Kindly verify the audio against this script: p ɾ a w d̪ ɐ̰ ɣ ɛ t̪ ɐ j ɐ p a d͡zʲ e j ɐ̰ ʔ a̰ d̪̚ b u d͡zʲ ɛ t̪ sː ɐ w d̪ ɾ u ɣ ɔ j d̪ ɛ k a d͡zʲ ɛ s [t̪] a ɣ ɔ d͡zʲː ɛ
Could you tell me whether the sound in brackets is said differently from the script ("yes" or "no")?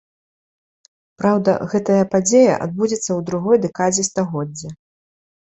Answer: no